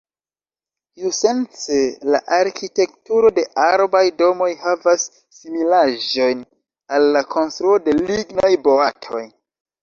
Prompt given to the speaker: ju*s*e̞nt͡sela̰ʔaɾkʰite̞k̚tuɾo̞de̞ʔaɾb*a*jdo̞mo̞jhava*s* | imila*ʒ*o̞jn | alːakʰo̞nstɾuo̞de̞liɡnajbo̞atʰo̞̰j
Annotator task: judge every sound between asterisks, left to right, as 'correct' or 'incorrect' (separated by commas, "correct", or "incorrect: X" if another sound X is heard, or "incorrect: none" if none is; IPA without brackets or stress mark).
correct, correct, incorrect: sː, correct